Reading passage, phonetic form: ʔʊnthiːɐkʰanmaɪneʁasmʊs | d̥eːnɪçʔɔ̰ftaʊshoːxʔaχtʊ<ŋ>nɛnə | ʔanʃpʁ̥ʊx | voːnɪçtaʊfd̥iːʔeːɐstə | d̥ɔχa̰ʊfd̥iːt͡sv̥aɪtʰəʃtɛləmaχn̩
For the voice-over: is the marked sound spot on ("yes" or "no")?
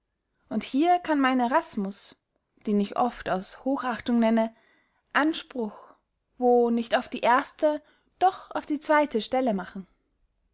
yes